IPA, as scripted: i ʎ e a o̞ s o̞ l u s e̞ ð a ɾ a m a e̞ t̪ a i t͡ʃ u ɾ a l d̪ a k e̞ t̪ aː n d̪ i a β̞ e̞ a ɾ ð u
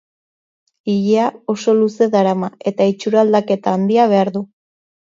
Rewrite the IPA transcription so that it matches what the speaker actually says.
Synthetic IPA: i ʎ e a o̞ s o̞ l u s e̞ ð a ɾ a m a e̞ t̪ a i t͡ʃ u ɾ a l d̪ a k e̞ t̪ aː n d̪ i a β̞ e̞ a ɾ ð u